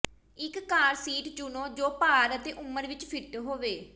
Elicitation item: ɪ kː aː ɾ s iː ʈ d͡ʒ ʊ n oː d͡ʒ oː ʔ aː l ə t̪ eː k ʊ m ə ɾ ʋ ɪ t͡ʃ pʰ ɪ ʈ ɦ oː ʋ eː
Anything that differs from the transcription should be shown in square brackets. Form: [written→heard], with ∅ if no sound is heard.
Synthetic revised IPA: ɪ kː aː ɾ s iː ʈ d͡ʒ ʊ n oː d͡ʒ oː [ʔ→p] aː [l→ɾ] ə t̪ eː [k→ʔ] ʊ m ə ɾ ʋ ɪ t͡ʃ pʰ ɪ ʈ ɦ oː ʋ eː